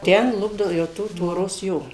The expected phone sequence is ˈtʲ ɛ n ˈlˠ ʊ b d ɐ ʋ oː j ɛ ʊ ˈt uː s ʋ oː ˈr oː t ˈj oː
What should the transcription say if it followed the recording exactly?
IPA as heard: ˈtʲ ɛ n ˈlˠ ʊ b d ɐ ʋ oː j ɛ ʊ ˈt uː t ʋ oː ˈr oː s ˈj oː